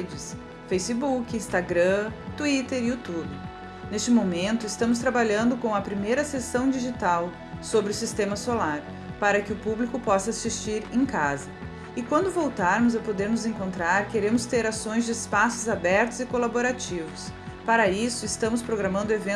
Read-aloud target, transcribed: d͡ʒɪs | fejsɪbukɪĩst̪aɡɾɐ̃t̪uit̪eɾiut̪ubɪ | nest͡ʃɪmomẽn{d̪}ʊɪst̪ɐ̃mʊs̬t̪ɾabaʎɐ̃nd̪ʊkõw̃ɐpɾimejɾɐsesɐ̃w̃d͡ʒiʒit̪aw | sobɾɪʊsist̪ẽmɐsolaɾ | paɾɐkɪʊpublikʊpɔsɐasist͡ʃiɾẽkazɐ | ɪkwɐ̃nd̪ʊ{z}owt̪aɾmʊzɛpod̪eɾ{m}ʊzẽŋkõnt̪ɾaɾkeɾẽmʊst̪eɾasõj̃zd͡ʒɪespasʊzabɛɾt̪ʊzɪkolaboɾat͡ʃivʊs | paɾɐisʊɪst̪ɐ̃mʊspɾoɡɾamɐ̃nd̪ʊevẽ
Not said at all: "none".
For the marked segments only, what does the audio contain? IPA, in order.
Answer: t̪, v, n

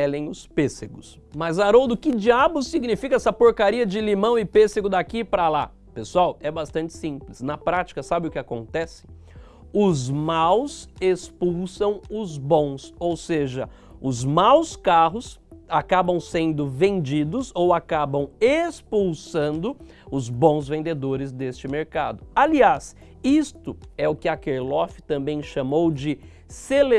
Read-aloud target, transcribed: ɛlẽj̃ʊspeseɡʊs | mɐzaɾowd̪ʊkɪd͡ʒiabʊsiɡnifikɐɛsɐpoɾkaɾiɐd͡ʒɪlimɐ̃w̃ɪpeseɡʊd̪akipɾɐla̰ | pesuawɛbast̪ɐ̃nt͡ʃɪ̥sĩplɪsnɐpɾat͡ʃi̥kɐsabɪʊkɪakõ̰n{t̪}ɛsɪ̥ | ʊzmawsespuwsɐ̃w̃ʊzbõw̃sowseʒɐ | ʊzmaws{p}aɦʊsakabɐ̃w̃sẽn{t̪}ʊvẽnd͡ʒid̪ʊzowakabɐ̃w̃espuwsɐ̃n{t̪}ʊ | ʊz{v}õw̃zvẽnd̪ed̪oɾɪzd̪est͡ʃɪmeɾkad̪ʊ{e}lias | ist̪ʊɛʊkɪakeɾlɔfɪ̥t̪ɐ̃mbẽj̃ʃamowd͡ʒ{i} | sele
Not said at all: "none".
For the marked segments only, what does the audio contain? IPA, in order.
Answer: t̪, k, d̪, d̪, b, a, ɪ

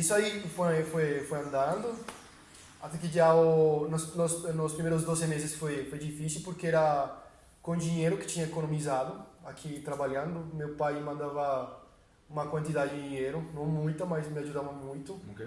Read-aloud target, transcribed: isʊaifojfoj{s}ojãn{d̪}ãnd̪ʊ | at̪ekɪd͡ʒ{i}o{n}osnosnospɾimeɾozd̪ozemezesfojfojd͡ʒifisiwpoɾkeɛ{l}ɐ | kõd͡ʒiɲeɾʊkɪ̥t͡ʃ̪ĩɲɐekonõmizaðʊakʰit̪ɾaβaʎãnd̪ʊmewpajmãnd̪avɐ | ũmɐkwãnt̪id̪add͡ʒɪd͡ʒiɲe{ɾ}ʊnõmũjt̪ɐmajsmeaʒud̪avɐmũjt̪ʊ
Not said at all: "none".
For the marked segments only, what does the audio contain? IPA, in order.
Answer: f, d̪, a, n, ɾ, ɾ

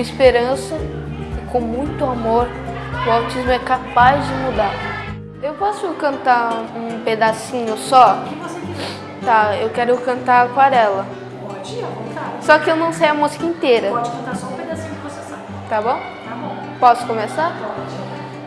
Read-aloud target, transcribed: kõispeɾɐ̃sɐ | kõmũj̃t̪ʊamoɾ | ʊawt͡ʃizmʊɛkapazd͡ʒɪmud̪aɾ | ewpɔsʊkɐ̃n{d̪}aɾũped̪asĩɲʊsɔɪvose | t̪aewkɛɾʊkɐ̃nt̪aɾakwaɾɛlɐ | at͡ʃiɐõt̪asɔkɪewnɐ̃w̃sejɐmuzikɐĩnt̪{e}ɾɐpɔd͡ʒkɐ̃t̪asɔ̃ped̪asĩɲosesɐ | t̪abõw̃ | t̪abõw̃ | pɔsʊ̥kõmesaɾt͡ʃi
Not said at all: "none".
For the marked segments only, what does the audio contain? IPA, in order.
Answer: t̪, e

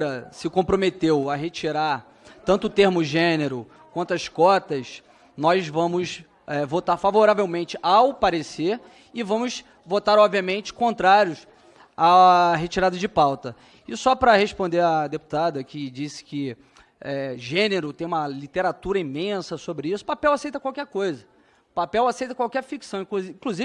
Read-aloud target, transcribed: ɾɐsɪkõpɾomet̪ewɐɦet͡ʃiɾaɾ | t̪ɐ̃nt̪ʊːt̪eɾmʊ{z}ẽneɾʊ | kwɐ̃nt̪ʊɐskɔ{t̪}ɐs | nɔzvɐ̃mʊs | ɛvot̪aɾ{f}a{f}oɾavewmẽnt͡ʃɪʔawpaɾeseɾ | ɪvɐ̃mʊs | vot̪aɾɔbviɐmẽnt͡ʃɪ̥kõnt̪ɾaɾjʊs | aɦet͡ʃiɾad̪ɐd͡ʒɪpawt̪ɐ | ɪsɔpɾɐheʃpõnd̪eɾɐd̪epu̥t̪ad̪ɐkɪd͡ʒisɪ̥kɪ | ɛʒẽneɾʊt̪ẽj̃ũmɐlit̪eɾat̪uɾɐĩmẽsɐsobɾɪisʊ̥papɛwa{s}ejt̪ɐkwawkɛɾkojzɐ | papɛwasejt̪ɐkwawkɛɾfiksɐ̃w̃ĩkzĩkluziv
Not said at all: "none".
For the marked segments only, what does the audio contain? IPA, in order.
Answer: ʒ, t̪, f, v, s

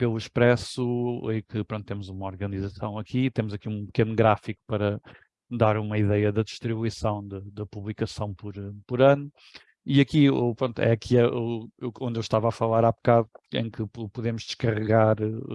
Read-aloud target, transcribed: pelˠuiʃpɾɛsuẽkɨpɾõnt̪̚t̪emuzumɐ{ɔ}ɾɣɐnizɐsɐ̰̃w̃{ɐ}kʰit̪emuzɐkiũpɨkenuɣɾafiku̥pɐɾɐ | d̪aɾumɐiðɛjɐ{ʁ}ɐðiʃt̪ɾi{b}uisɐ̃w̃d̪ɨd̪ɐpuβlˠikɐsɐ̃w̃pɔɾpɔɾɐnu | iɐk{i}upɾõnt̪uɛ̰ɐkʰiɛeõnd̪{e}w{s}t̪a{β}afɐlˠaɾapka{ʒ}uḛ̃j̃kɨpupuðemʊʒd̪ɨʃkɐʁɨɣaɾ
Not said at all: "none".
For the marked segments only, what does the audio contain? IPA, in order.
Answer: ɔ, ɐ, ð, β, i, e, ʃ, v, ð

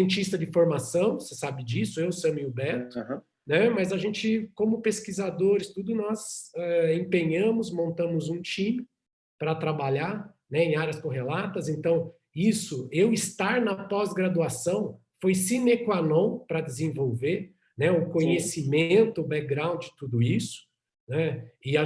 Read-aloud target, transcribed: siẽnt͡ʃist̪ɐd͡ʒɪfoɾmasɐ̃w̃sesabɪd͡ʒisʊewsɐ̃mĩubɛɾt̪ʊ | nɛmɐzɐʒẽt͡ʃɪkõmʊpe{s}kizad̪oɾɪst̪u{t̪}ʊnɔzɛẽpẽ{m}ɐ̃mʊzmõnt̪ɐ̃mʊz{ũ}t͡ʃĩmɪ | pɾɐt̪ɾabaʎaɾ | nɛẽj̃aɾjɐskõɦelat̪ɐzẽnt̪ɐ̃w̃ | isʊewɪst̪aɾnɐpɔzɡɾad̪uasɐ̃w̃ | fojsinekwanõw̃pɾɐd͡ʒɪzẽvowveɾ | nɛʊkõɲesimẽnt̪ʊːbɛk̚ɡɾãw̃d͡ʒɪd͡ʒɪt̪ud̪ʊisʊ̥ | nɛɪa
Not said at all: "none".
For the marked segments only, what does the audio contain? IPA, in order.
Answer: s, d̪, ɲ, ũ

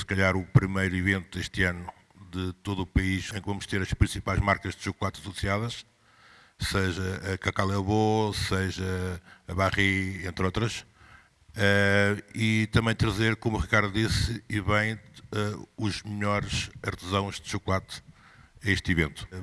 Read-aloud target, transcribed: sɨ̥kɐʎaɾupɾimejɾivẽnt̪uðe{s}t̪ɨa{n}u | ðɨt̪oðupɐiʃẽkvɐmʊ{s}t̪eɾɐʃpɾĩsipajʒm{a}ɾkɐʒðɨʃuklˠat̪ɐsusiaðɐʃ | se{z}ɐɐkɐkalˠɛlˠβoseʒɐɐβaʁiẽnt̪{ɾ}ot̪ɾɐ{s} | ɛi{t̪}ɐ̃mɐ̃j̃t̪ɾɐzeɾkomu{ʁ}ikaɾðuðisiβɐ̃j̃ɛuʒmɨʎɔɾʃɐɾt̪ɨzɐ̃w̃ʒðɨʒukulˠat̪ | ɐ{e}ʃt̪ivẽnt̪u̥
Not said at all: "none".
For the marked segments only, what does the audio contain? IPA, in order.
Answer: ʃ, n, ʃ, a, ʒ, ɾ, ʃ, t̪, ʁ, e

